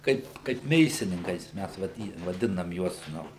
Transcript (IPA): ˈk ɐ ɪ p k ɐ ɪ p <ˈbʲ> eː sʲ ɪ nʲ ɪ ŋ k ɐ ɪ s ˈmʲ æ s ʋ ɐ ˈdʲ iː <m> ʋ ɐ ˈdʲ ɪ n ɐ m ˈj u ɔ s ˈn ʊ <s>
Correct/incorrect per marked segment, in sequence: incorrect: mʲ, incorrect: none, incorrect: none

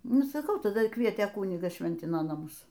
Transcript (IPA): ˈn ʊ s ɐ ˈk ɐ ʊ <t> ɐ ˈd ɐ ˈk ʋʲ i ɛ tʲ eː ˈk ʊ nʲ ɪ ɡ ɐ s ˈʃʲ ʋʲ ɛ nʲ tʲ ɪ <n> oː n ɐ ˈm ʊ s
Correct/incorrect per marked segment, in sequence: correct, correct

